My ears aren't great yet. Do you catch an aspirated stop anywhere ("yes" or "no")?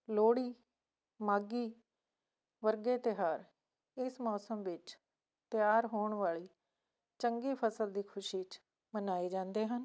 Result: yes